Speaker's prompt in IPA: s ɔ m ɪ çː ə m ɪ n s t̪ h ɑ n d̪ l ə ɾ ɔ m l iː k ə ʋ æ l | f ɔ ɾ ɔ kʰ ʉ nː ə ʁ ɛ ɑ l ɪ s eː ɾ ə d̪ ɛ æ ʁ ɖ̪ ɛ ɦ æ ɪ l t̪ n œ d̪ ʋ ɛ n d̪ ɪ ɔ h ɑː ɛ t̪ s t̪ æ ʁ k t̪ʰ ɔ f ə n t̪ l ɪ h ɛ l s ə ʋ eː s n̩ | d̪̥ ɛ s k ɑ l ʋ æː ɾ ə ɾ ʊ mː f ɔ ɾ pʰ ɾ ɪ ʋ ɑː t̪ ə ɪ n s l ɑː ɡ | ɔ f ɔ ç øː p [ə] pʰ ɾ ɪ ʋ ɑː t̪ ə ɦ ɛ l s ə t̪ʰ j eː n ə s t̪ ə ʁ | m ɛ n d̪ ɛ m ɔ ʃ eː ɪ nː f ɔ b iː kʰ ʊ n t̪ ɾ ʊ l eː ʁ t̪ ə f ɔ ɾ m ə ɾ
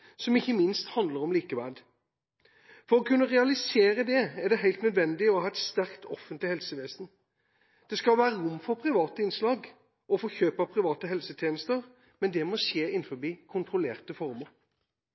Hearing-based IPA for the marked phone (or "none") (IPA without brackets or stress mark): ɑ